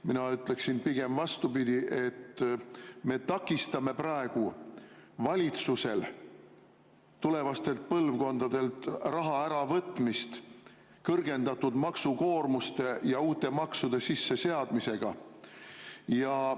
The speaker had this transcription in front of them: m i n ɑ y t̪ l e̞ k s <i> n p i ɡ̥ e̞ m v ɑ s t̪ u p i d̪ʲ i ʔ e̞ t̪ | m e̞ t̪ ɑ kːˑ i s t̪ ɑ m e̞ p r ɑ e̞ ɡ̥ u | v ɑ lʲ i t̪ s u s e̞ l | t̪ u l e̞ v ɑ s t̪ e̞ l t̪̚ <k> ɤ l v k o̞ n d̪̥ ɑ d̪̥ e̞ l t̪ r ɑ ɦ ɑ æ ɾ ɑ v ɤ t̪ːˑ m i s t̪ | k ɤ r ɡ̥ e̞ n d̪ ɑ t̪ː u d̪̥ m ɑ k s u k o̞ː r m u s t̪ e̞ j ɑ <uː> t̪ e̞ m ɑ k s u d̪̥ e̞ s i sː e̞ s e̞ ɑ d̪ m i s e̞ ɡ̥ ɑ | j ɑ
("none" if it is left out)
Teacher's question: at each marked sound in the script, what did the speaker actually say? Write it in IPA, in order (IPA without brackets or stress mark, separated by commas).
i, p, uː